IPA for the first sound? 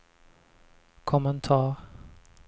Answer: kʰ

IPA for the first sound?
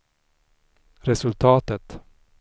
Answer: ɾ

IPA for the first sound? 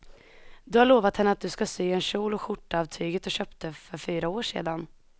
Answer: d̪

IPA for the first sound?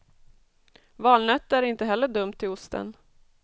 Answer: v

